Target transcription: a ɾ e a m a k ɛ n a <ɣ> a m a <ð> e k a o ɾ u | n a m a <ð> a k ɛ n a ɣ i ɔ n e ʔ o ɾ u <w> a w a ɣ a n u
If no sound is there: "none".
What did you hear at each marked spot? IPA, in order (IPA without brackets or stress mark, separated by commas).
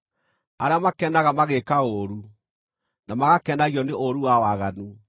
ɣ, ɣ, ɣ, w